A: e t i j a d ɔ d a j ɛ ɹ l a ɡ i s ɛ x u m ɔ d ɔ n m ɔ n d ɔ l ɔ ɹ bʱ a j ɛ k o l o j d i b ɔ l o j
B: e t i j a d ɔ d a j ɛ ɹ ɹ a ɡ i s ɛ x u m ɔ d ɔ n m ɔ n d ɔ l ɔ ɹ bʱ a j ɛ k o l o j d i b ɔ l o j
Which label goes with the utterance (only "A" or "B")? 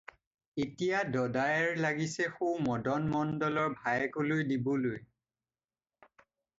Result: A